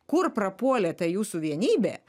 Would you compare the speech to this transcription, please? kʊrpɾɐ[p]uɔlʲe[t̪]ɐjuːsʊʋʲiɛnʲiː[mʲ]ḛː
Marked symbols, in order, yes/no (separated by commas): yes, yes, no